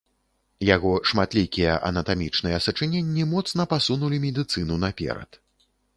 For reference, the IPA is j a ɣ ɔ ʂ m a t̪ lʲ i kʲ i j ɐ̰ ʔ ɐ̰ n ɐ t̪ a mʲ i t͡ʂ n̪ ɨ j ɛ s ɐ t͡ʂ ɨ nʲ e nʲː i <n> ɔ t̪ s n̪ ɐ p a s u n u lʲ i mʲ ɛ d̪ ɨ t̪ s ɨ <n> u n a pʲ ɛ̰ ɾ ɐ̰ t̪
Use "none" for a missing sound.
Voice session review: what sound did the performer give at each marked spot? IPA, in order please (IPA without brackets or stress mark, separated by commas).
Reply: m, n